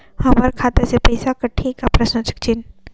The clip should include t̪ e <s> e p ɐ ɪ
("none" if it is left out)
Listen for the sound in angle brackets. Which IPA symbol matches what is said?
s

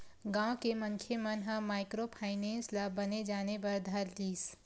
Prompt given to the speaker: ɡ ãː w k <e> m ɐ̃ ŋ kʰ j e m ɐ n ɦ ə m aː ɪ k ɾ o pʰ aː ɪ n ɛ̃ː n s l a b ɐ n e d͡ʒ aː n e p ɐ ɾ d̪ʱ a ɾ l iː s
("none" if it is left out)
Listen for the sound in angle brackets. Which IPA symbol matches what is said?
e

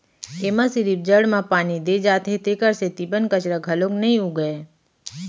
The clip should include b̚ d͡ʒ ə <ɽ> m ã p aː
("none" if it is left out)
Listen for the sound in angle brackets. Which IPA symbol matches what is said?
ɽ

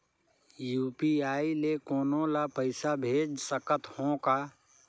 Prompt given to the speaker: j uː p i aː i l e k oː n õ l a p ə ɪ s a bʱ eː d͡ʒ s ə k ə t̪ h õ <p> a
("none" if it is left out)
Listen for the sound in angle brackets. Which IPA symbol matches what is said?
k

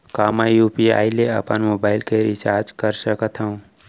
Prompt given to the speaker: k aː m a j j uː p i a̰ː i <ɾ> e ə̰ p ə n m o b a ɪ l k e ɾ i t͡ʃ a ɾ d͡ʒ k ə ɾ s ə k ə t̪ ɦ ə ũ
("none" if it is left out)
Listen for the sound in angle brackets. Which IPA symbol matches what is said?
l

